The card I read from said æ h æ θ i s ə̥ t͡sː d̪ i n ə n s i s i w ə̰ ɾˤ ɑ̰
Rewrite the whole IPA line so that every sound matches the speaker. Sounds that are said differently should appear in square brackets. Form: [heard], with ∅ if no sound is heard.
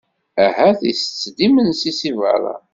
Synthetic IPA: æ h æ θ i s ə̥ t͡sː d̪ i [m] ə n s i s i [v] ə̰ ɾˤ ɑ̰